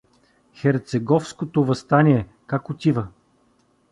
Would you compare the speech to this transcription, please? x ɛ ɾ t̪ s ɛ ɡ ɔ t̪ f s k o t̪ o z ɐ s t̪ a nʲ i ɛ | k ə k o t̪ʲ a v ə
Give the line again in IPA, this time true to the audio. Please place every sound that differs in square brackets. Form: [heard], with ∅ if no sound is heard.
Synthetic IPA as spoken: x ɛ ɾ t̪ s ɛ ɡ ɔ [∅] f s k o t̪ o [v] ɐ s t̪ a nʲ i ɛ | k [a] k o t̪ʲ [i] v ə